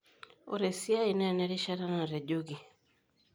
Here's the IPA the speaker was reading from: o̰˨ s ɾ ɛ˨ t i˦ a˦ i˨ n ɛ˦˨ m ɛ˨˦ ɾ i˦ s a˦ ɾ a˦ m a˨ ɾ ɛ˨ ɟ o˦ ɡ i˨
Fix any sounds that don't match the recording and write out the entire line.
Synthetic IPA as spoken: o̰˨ ɾ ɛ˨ s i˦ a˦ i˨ n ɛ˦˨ n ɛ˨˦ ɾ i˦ ʃ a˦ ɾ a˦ n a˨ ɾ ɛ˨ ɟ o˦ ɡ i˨